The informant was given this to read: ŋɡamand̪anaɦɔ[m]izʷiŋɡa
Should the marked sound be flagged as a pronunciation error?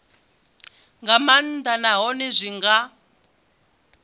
yes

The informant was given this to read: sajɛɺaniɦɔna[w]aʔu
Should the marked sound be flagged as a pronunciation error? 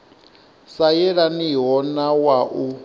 no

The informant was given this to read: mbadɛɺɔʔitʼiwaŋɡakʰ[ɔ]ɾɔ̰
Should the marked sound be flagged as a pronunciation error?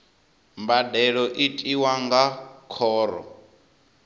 yes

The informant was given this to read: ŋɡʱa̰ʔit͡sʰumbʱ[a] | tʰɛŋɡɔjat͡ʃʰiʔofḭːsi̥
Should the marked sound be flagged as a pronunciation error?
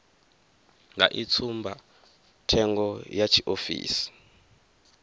no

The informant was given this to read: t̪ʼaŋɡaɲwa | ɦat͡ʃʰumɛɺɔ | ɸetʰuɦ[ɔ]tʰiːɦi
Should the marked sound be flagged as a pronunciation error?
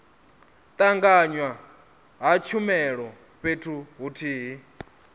yes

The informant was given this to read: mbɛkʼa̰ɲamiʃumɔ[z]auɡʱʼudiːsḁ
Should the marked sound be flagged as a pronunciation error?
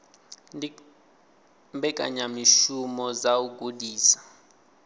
no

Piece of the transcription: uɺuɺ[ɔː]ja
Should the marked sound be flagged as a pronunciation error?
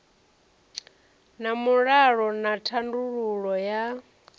yes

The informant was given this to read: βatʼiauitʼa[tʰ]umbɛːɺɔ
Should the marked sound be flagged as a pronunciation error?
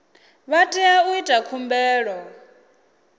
yes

